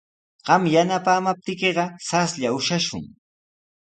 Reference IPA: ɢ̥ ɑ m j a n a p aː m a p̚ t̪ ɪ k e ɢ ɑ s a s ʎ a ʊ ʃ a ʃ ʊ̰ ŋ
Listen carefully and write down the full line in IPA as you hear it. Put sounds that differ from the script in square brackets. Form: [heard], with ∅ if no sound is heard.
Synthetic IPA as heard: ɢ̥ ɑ m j a n a p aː m a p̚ t̪ ɪ k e ɢ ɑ s a s ʎ a ʊ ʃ a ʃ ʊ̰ ŋ